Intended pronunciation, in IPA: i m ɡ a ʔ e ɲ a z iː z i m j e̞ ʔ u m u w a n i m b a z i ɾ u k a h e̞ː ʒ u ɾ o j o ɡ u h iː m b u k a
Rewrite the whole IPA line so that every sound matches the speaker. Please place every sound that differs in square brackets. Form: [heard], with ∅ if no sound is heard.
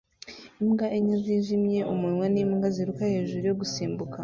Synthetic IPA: i m ɡ a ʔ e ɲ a z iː [ʒ] i m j e̞ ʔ u m u w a n i m [ɡ] a z i ɾ u k a h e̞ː ʒ u ɾ [u] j o ɡ u [s] iː m b u k a